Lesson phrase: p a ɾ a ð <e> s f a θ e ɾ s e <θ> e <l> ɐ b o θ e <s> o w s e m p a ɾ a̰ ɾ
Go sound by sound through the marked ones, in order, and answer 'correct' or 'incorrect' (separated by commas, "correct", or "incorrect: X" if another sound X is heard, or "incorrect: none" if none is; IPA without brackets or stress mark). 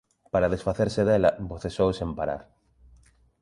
correct, incorrect: ð, correct, correct